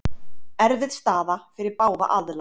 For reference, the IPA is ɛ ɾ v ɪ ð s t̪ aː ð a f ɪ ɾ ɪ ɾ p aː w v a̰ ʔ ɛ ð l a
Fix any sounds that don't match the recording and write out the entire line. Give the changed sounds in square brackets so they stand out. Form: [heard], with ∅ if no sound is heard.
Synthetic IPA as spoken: ɛ ɾ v ɪ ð s t̪ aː ð a f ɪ ɾ ɪ ɾ p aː w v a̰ ʔ [a] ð l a